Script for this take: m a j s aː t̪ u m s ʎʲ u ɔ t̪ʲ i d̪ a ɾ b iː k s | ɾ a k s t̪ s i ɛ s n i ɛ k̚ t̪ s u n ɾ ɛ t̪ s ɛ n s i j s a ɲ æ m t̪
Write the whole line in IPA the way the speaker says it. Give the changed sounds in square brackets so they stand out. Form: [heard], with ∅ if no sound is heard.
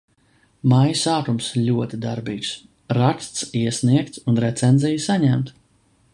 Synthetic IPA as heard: m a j s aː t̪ u m s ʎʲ u ɔ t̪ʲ i d̪ a ɾ b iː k s | ɾ a k s t̪ s i ɛ s n i ɛ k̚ t̪ s u n ɾ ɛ t̪ s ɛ n [z] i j s a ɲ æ m t̪